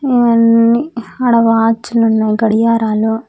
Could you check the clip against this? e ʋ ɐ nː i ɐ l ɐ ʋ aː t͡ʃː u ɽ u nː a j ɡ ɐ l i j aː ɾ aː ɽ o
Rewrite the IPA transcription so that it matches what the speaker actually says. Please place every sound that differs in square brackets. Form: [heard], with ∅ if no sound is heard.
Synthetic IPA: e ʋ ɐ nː i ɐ [ɽ] ɐ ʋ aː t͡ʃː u [l] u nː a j ɡ ɐ [ɽ] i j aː ɾ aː [l] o